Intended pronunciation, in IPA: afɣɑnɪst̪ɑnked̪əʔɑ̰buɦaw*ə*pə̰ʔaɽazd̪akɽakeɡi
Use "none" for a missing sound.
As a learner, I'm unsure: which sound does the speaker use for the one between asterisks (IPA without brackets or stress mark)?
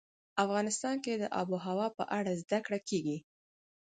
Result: ɑ